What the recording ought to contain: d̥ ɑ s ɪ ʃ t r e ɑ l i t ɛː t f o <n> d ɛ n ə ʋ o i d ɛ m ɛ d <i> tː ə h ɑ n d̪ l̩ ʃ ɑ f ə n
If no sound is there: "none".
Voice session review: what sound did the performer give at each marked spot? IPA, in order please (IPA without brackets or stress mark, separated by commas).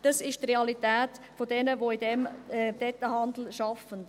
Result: none, ɛ